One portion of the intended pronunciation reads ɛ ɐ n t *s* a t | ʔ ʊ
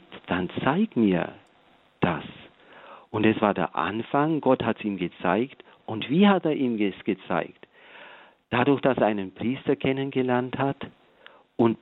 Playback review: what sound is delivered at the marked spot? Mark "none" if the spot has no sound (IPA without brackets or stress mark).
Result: h